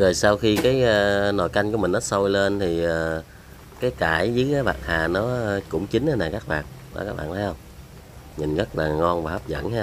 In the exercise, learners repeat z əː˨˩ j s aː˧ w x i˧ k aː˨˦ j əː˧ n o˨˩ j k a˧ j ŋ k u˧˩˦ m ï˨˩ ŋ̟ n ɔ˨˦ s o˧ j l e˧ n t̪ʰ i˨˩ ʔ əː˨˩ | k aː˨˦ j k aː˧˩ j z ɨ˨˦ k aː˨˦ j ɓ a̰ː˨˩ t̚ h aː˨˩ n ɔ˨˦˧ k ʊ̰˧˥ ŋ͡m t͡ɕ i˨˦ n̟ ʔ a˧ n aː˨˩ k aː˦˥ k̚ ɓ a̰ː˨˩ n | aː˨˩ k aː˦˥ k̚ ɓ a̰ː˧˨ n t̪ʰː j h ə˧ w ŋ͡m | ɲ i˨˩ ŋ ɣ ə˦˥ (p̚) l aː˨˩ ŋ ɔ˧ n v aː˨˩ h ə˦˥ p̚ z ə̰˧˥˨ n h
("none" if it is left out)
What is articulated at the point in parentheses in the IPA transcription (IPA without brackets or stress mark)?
t̚